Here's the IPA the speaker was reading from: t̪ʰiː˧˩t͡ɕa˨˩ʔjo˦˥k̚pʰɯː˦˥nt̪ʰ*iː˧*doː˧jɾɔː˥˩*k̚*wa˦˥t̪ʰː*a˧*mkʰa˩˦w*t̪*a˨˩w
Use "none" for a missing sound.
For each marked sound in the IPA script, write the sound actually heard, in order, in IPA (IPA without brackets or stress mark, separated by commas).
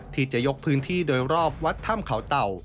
iː˥˩, p̚, a˥˩, t̪